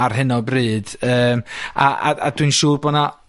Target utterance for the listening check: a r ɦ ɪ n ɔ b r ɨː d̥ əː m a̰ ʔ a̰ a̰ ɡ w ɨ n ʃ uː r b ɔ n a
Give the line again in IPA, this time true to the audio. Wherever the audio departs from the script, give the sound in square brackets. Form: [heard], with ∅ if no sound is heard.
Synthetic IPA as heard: a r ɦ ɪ n ɔ b r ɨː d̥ əː m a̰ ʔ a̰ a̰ [d] w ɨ n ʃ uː r b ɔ n a